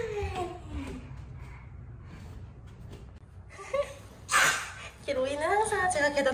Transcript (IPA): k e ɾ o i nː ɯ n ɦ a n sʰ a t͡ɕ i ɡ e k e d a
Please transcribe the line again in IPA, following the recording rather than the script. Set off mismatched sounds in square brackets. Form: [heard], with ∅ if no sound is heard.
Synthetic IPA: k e ɾ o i [n] ɯ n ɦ a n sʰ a t͡ɕ [e] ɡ [a] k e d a

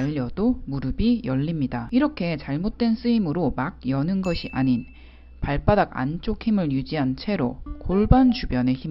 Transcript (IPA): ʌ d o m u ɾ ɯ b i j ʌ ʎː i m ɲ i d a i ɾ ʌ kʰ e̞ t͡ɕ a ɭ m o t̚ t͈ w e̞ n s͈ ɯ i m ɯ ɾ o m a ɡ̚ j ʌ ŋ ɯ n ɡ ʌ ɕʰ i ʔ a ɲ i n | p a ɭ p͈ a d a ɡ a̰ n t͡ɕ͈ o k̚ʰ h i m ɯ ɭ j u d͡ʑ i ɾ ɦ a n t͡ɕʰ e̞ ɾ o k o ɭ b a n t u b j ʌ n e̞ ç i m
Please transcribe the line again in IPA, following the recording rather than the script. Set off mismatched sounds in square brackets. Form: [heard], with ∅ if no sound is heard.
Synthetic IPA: ʌ d o m u ɾ ɯ b i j ʌ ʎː i m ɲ i d a i ɾ ʌ kʰ e̞ t͡ɕ a ɭ m o t̚ t͈ w e̞ n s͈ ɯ i m ɯ ɾ o m a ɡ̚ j ʌ [n] ɯ n ɡ ʌ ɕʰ i ʔ a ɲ i n | p a ɭ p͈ a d a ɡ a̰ n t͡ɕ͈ o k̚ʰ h i m ɯ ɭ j u d͡ʑ i [∅] ɦ a n t͡ɕʰ e̞ ɾ o k o ɭ b a n [t͡ɕ] u b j ʌ n e̞ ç i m

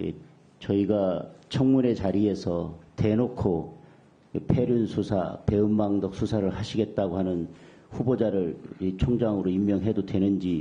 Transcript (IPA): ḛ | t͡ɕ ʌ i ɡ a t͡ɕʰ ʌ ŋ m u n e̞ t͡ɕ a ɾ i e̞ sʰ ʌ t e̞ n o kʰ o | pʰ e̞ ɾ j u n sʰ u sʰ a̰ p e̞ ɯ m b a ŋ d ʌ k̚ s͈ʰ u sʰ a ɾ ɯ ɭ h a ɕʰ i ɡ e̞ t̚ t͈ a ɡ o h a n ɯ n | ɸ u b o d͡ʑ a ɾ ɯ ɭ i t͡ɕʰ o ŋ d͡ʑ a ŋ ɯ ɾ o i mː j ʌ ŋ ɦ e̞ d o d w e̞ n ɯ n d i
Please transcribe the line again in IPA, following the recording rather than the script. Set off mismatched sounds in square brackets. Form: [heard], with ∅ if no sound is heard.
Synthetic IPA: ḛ | t͡ɕ ʌ i ɡ a t͡ɕʰ ʌ ŋ m u n e̞ t͡ɕ a ɾ i e̞ sʰ ʌ t e̞ n o kʰ o | pʰ e̞ ɾ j u n sʰ u sʰ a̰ p e̞ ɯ m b a ŋ d ʌ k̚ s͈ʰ u sʰ a ɾ ɯ ɭ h a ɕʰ i ɡ e̞ t̚ t͈ a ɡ o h a n ɯ n | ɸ u b o d͡ʑ a ɾ ɯ ɭ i t͡ɕʰ o ŋ d͡ʑ a ŋ ɯ ɾ o i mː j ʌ ŋ ɦ e̞ d o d w e̞ n ɯ n [d͡ʑ] i

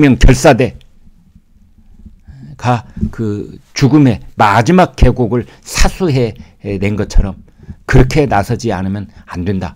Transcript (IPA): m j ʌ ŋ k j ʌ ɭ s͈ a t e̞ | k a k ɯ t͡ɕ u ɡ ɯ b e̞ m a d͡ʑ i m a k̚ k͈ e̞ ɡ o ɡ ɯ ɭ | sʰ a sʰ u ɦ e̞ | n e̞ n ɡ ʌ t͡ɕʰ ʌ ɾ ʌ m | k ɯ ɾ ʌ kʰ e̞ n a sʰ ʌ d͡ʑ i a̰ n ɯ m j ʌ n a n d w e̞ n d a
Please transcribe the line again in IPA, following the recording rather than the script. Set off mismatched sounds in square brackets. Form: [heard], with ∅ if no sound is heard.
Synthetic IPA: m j ʌ ŋ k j ʌ ɭ s͈ a [d] e̞ | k a k ɯ t͡ɕ u ɡ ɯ [m] e̞ m a d͡ʑ i m a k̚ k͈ e̞ ɡ o ɡ ɯ ɭ | sʰ a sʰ u ɦ e̞ | n e̞ n ɡ ʌ t͡ɕʰ ʌ ɾ ʌ m | k ɯ ɾ ʌ kʰ e̞ n a sʰ ʌ d͡ʑ i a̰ n ɯ m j ʌ n a n d w e̞ n d a

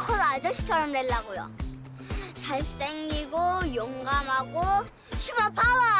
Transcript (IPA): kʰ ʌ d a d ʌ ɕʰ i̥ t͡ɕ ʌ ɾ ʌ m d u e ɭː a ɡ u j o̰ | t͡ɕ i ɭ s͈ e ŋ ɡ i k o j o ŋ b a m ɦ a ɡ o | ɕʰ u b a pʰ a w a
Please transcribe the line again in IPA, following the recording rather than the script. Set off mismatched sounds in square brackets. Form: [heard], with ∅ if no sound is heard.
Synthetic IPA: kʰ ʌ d a [d͡ʑ] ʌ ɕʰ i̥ [t͡ɕʰ] ʌ ɾ ʌ m d [w] e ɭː a ɡ [o] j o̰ | t͡ɕ [a] ɭ s͈ e ŋ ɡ i [ɡ] o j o ŋ [ɡ] a m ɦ a ɡ o | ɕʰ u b a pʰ a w a

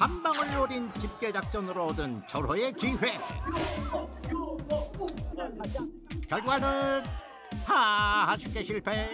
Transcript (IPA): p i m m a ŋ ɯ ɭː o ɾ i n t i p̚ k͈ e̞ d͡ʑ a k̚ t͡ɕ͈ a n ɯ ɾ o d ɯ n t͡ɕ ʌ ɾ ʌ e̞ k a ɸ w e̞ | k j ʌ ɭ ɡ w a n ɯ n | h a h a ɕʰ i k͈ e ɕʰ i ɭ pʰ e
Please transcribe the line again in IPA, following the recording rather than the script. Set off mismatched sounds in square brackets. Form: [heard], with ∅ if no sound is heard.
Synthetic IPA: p [a] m [b] a ŋ ɯ ɭː o ɾ i n [t͡ɕ] i p̚ k͈ e̞ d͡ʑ a k̚ t͡ɕ͈ [ʌ] n ɯ ɾ o d ɯ n t͡ɕ ʌ ɾ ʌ e̞ k [i] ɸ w e̞ | k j ʌ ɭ ɡ w a n ɯ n | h a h a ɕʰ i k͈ e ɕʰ i ɭ pʰ e

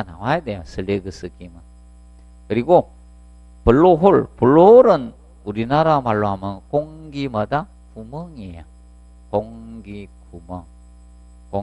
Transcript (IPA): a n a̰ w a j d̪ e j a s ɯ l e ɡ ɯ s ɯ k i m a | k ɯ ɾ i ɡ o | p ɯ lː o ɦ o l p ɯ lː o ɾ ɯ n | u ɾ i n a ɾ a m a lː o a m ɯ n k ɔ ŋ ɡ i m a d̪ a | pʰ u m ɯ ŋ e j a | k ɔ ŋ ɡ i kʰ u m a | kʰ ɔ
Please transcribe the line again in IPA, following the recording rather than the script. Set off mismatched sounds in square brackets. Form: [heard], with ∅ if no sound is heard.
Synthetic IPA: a n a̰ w a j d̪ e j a s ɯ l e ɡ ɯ s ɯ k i m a | k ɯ ɾ i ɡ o | p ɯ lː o ɦ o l p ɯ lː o ɾ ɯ n | u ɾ i n a ɾ a m a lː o a m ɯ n k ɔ ŋ ɡ i m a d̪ a | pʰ u m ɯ ŋ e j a | k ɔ ŋ ɡ i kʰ u m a | [k] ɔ

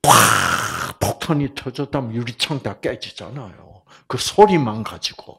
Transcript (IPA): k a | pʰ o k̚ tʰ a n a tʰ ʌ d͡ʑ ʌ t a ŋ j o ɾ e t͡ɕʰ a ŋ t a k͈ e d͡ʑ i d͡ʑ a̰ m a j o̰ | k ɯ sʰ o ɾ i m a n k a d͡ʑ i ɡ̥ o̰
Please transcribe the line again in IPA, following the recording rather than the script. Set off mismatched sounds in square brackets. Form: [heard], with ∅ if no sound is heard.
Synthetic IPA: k a | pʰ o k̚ tʰ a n [i] tʰ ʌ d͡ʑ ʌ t a [m] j [u] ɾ [i] t͡ɕʰ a ŋ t a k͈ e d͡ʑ i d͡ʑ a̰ [n] a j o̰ | k ɯ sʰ o ɾ i m a n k a d͡ʑ i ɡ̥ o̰

